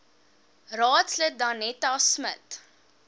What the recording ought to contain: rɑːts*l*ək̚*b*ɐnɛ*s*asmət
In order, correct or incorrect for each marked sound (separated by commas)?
correct, incorrect, incorrect